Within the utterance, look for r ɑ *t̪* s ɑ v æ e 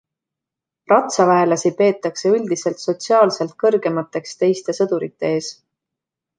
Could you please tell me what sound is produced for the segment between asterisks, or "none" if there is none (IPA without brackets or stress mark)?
t̪